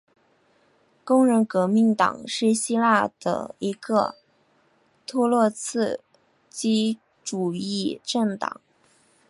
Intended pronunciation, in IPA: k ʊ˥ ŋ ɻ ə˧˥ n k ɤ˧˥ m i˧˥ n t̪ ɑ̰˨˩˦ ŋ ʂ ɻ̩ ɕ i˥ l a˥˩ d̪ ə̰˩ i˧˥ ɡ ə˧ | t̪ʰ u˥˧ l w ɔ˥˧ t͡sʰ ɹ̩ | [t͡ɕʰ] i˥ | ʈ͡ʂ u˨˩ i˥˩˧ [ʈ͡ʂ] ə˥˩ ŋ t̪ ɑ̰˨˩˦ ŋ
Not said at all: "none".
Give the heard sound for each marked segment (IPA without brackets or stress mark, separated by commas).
t͡ɕ, ʈ͡ʂ